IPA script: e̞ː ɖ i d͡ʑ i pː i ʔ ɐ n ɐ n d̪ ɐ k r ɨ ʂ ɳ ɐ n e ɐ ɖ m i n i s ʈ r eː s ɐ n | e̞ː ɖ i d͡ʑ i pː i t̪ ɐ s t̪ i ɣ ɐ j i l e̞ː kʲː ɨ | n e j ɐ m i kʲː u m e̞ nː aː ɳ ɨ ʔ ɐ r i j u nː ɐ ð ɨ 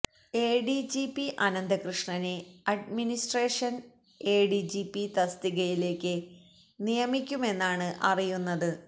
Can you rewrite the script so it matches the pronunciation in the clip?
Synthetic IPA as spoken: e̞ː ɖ i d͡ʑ i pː i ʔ ɐ n ɐ n d̪ ɐ k r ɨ ʂ ɳ ɐ n e ɐ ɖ m i n i s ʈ r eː ʂ ɐ n | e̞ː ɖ i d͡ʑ i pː i t̪ ɐ s t̪ i ɣ ɐ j i l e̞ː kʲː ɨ | n i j ɐ m i kʲː u m e̞ nː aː ɳ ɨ ʔ ɐ r i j u nː ɐ ð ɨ